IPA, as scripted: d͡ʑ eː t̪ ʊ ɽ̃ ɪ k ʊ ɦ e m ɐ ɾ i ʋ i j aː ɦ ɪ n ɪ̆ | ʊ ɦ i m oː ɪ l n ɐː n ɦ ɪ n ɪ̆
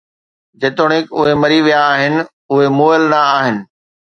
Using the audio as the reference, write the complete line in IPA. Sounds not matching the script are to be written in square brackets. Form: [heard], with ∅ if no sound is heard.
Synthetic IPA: d͡ʑ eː t̪ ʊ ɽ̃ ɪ k ʊ ɦ e m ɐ ɾ i ʋ i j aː ɦ ɪ n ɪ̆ | ʊ ɦ [e] m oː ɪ l n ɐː [∅] ɦ ɪ n ɪ̆